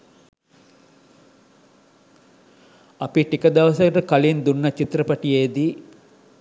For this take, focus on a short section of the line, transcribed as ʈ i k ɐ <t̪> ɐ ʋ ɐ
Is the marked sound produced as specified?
no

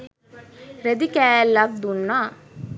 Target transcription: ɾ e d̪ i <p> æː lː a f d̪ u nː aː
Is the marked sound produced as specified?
no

